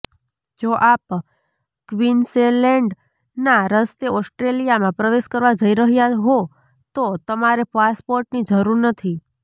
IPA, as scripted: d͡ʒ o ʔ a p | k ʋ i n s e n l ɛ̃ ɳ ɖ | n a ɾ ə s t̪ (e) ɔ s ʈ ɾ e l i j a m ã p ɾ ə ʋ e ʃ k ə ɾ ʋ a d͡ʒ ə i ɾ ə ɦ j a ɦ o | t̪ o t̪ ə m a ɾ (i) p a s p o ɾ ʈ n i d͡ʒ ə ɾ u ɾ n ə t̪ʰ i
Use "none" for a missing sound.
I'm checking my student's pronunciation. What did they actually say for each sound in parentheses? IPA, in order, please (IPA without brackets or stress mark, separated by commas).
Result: e, e